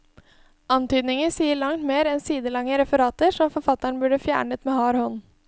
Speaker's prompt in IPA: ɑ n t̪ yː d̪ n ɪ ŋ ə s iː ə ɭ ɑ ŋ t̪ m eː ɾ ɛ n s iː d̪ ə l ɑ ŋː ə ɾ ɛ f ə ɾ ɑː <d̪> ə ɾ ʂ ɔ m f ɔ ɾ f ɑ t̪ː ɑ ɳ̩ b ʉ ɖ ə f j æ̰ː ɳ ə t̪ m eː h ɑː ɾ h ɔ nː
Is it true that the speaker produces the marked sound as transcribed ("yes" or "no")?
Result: no